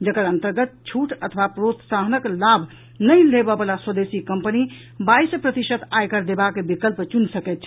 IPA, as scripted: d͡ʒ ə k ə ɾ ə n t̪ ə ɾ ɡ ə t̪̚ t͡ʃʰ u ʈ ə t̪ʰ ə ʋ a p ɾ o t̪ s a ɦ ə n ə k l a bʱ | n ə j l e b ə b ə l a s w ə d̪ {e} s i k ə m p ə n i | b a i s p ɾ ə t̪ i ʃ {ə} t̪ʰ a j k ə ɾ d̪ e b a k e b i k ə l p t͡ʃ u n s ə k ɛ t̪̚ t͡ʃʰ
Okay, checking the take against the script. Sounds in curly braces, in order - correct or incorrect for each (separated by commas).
correct, correct